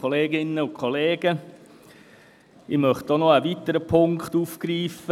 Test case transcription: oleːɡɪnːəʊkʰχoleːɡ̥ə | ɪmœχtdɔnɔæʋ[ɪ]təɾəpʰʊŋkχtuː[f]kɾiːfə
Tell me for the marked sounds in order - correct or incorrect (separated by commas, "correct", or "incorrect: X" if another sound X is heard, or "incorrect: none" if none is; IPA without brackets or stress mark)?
incorrect: i, correct